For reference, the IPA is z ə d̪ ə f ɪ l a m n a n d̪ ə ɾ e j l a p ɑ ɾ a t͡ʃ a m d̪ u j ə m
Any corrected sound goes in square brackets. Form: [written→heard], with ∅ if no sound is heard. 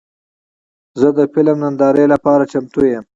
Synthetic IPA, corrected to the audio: z ə d̪ ə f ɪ l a m n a n d̪ [ə→ɑ] ɾ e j l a p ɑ ɾ a t͡ʃ a m [d̪→t̪] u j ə m